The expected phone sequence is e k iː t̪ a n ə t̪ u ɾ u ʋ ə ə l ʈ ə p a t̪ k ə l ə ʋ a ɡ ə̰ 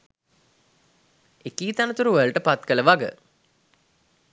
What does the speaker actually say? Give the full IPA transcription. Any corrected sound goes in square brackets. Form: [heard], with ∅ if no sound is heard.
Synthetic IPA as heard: e k iː t̪ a n ə t̪ u ɾ u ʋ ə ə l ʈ ə p a t̪ k ə l ə ʋ a ɡ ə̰

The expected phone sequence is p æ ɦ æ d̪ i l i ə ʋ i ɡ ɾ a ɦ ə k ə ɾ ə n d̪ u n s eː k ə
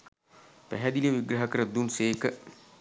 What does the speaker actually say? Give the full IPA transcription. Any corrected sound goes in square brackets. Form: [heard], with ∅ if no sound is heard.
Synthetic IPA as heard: p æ ɦ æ d̪ i l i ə ʋ i ɡ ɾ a ɦ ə k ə ɾ ə [∅] d̪ u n s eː k ə

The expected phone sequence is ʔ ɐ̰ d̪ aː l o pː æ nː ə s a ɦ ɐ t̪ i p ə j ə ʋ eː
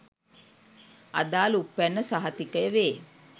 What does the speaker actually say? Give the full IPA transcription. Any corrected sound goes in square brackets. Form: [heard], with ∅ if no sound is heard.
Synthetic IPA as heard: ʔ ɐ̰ d̪ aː l [u] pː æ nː ə s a ɦ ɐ t̪ i [k] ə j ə ʋ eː

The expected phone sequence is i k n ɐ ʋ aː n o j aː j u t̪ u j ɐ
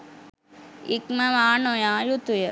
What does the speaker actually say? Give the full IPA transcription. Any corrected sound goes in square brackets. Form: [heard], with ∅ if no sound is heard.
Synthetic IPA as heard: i k [m] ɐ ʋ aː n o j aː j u t̪ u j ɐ

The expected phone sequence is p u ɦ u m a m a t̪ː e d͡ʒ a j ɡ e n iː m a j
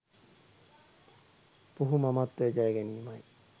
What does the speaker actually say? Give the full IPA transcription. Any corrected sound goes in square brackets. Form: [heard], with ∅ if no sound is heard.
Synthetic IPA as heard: p u ɦ u m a m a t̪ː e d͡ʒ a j ɡ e n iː m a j

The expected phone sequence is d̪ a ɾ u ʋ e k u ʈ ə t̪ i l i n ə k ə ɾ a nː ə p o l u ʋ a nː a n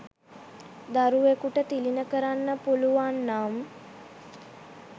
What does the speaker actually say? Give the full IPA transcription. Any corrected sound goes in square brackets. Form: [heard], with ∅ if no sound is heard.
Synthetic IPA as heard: d̪ a ɾ u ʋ e k u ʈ ə t̪ i l i n ə k ə ɾ a nː ə p [u] l u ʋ a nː a [m]

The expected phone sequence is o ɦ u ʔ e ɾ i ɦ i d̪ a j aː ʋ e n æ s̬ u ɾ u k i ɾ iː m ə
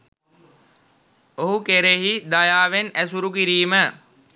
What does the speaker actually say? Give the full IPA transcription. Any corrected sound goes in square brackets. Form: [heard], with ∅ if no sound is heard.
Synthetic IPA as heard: o ɦ u [k] e ɾ [e] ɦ i d̪ a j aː ʋ e n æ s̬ u ɾ u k i ɾ iː m ə

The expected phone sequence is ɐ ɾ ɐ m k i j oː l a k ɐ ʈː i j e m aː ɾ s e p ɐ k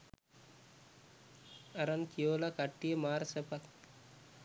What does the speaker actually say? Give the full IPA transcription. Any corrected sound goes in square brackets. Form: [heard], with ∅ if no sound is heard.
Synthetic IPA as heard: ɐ ɾ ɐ [n] k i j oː l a k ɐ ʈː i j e m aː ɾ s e p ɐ k

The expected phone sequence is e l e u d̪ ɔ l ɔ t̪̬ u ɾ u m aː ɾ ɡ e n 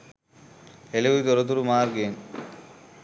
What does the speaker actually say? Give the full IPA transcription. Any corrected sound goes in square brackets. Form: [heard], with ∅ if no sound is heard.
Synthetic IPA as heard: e l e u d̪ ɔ [ɾ] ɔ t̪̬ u ɾ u m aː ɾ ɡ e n

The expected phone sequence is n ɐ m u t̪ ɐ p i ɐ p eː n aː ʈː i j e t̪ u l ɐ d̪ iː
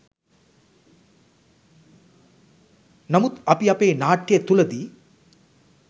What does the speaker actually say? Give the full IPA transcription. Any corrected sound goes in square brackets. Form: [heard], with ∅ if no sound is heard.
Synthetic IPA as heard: n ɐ m u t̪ ɐ p i ɐ p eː n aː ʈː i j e t̪ u l ɐ d̪ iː

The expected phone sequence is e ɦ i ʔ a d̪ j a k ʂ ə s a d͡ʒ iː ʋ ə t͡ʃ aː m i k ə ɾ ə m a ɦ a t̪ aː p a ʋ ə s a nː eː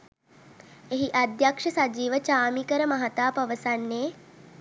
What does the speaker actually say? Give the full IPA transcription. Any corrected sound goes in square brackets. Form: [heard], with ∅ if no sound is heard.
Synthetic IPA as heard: e ɦ i ʔ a d̪ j a k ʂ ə s a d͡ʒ iː ʋ ə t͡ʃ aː m i k ə ɾ ə m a ɦ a t̪ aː p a ʋ ə s a nː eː

